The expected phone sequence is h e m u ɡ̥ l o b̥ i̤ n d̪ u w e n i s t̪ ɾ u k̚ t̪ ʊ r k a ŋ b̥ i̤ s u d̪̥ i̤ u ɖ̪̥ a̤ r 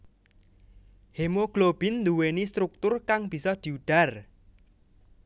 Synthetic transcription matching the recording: h e m o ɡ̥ l o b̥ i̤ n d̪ u w e n i s t̪ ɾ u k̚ t̪ ʊ r k a ŋ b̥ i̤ s ɔ d̪̥ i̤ u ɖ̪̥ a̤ r